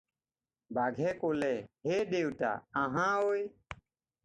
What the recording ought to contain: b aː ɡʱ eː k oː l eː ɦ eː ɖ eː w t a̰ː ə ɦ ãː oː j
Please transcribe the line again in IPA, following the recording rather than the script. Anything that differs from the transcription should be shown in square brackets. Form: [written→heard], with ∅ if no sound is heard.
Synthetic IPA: b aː ɡʱ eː k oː l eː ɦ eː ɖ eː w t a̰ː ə ɦ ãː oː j